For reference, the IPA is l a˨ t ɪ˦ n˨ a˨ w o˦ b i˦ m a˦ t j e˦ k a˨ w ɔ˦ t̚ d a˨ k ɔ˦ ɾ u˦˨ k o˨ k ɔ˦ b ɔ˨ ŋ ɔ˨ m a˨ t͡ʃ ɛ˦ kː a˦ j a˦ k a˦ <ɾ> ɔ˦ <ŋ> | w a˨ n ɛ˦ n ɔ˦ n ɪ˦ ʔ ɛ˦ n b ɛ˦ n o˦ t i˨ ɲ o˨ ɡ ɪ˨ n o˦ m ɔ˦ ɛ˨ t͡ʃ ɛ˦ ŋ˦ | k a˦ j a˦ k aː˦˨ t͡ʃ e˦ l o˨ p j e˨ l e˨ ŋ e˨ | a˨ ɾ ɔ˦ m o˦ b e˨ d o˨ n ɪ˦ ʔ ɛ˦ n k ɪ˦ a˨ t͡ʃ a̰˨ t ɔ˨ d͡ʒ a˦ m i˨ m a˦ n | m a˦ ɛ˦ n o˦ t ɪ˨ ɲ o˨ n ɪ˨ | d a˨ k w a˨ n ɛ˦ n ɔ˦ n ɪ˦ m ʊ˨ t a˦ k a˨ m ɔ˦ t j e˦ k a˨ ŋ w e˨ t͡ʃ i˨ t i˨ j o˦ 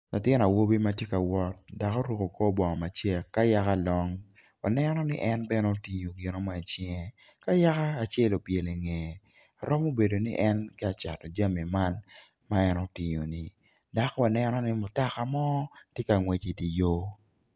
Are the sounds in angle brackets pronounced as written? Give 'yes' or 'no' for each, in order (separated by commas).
no, yes